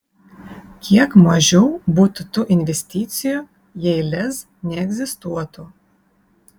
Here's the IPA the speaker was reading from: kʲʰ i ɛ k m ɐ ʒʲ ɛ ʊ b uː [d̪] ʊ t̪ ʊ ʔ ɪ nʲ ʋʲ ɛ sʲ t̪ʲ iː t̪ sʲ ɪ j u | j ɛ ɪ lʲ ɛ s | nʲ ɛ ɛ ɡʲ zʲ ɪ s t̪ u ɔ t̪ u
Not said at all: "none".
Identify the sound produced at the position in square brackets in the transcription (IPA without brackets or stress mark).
t̪